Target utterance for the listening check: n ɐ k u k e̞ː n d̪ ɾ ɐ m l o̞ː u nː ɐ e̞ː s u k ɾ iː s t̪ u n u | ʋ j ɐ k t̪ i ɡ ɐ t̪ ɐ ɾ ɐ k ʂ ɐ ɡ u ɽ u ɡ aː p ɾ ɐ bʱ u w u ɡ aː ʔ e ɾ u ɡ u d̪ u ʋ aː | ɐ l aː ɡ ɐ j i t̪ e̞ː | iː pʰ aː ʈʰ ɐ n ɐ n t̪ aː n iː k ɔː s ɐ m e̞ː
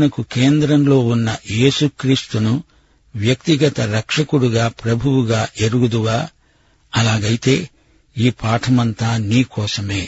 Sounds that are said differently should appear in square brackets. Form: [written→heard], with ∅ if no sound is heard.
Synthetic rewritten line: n ɐ k u k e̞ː n d̪ ɾ ɐ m l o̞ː u nː ɐ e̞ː s u k ɾ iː s t̪ u n u | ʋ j ɐ k t̪ i ɡ ɐ t̪ ɐ ɾ ɐ k ʂ ɐ [ɡ→k] u ɽ u ɡ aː p ɾ ɐ bʱ u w u ɡ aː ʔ e ɾ u ɡ u d̪ u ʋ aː | ɐ l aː ɡ ɐ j i t̪ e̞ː | iː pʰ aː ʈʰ ɐ [n→m] ɐ n t̪ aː n iː k ɔː s ɐ m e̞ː